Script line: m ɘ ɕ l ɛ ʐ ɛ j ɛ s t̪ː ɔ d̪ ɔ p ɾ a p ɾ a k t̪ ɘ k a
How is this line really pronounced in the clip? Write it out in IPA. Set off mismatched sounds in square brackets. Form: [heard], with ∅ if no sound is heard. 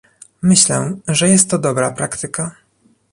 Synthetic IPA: m ɘ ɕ l ɛ ʐ ɛ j ɛ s t̪ː ɔ d̪ ɔ [b] ɾ a p ɾ a k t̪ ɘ k a